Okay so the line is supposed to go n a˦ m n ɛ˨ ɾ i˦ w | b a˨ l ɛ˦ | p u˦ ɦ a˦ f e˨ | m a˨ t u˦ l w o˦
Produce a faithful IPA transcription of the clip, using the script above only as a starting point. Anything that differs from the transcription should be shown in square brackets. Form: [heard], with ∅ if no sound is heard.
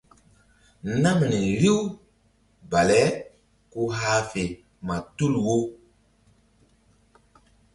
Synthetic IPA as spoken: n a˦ m n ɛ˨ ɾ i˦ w | b a˨ l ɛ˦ | [k] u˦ ɦ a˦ f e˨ | m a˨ t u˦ l w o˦